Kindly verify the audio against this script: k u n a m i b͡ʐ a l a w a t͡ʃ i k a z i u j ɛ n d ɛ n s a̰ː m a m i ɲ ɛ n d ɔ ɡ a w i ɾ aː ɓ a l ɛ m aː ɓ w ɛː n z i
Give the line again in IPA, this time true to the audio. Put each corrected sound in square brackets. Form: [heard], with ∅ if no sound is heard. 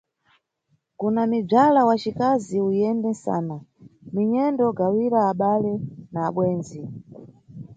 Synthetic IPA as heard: k u n a m i b͡ʐ a l a w a t͡ʃ i k a z i u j ɛ n d ɛ n s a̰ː [n] a m i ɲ ɛ n d ɔ ɡ a w i ɾ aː ɓ a l ɛ [n] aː ɓ w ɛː n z i